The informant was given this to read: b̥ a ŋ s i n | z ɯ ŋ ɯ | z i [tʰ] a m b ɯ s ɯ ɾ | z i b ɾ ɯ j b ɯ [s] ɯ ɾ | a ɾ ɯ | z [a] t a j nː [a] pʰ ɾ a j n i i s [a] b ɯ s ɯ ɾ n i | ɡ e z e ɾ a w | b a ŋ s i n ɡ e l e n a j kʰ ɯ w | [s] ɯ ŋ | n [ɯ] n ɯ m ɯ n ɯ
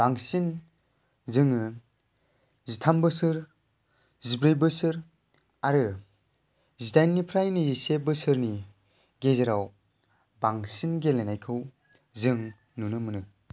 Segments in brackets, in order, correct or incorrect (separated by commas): correct, correct, incorrect, incorrect, incorrect, incorrect, incorrect